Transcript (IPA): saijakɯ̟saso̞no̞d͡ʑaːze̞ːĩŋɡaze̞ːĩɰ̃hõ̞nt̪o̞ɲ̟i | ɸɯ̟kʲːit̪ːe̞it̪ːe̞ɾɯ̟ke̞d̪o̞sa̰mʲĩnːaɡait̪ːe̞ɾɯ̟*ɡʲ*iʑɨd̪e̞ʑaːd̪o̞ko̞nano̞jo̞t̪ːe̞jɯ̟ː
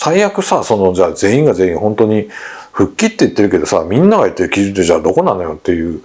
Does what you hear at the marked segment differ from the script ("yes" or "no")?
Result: yes